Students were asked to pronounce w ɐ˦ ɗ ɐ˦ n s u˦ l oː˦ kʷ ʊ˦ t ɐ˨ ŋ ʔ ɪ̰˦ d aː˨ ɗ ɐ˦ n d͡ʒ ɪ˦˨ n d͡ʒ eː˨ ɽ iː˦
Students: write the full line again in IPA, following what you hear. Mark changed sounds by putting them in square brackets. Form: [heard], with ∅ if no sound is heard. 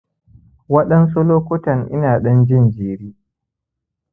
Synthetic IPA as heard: w ɐ˦ ɗ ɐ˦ n s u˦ l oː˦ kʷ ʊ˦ t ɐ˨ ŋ ʔ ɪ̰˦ [n] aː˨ ɗ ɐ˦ n d͡ʒ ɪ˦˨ n d͡ʒ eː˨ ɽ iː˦